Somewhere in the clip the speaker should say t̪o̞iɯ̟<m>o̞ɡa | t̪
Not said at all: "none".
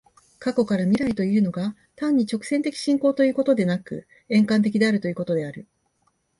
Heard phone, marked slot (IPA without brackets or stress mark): n